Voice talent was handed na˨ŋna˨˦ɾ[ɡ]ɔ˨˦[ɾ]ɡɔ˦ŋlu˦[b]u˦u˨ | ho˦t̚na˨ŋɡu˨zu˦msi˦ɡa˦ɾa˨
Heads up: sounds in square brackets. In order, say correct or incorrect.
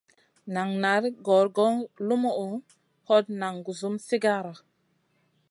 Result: correct, correct, incorrect

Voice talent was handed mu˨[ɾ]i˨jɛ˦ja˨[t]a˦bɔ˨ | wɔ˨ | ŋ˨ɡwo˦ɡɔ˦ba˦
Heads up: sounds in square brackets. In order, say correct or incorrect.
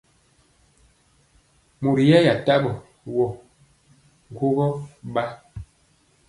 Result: correct, correct

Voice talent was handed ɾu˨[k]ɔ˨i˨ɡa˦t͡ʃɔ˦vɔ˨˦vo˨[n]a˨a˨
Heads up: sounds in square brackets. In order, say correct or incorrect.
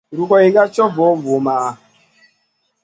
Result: correct, incorrect

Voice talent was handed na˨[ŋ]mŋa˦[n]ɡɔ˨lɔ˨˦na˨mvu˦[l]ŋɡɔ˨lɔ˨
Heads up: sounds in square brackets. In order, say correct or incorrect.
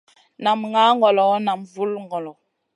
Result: incorrect, incorrect, correct

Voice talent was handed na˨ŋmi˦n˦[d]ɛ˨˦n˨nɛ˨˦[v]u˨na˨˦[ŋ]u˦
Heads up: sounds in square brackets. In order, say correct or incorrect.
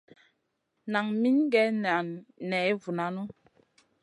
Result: incorrect, correct, incorrect

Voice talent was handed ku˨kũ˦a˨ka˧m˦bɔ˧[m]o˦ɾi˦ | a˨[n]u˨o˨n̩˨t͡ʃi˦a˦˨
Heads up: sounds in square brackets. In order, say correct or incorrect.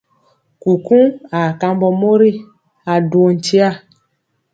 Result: correct, incorrect

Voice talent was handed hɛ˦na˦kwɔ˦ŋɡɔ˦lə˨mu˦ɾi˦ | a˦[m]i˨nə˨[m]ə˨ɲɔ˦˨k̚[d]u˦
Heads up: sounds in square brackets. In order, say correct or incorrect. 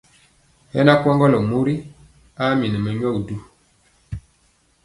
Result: correct, correct, correct

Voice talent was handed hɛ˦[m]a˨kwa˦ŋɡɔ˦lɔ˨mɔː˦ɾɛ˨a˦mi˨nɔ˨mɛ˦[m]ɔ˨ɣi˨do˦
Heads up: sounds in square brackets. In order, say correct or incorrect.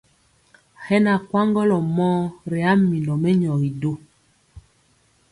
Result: incorrect, incorrect

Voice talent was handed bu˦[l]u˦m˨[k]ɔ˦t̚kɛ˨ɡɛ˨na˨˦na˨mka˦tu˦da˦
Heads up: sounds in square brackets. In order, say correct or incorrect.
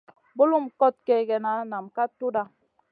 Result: correct, correct

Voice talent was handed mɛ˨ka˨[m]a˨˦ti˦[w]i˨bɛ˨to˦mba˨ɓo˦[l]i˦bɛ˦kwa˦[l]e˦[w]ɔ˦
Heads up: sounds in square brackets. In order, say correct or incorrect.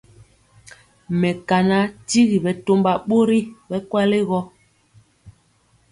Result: incorrect, incorrect, incorrect, correct, incorrect

